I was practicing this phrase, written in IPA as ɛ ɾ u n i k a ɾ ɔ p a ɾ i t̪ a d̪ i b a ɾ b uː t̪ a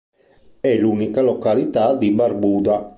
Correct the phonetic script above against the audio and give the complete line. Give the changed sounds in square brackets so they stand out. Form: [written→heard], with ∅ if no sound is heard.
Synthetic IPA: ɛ [ɾ→l] u n i k a [ɾ→l] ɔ [p→k] a [ɾ→l] i t̪ a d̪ i b a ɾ b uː [t̪→d̪] a